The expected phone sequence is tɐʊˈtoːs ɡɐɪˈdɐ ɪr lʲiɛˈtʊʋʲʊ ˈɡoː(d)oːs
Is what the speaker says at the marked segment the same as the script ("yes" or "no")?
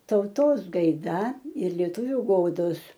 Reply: yes